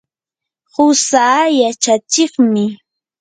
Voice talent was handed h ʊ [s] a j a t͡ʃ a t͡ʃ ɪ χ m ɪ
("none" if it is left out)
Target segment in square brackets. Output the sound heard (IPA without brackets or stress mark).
s